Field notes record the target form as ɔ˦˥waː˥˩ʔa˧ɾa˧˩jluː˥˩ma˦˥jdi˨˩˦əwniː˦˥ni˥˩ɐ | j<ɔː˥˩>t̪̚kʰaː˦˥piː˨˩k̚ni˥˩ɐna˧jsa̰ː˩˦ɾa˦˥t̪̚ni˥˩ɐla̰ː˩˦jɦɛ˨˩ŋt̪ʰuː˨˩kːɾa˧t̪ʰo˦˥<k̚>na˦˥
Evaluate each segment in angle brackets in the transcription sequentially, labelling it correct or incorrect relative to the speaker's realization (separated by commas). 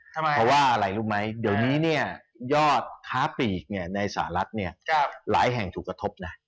correct, incorrect